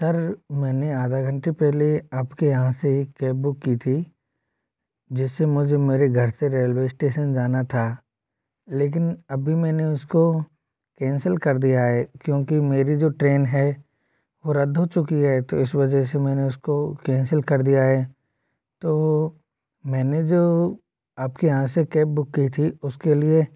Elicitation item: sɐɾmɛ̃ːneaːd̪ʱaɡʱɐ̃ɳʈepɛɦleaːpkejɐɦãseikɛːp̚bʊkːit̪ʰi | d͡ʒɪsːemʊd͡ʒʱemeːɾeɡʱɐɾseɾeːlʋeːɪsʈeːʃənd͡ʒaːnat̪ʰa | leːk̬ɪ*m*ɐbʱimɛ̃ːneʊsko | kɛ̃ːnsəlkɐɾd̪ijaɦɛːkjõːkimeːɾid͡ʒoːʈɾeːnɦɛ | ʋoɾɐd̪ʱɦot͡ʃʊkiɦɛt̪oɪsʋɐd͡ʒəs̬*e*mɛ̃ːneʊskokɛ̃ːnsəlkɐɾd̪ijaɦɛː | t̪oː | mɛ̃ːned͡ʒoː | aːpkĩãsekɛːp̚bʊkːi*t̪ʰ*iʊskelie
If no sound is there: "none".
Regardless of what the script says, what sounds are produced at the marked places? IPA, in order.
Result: n, e, t̪ʰ

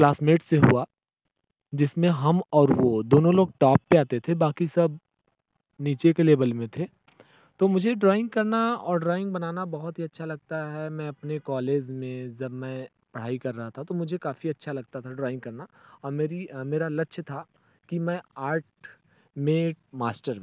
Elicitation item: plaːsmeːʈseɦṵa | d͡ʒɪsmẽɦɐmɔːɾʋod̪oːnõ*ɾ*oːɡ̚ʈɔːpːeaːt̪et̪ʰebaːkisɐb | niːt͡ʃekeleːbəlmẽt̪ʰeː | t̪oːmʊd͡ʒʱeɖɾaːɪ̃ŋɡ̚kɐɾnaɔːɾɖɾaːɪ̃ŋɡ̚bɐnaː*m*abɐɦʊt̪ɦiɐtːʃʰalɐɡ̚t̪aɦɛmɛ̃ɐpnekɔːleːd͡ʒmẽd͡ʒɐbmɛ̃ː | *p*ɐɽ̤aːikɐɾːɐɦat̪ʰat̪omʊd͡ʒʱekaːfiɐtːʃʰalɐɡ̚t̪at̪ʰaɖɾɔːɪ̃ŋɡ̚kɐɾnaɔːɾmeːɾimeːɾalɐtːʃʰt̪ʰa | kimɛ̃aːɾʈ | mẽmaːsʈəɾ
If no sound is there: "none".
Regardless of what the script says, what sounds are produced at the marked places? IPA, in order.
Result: l, n, p

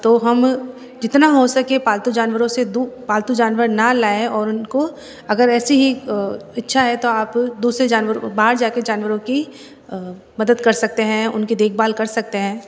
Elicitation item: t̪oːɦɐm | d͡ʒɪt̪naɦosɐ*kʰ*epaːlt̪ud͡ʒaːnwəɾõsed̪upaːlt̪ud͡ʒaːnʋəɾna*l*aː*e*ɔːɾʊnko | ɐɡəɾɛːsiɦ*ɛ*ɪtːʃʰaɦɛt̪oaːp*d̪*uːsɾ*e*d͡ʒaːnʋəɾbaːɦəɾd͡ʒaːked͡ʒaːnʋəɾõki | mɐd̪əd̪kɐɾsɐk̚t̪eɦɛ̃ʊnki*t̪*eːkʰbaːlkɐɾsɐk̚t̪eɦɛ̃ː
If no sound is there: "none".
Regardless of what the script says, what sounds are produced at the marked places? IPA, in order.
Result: k, l, e, i, d̪, e, d̪

